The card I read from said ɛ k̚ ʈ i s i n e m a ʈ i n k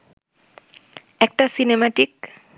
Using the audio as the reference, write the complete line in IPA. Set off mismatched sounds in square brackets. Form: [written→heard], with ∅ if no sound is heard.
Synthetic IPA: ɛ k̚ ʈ [i→a] s i n e m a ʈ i [n→∅] k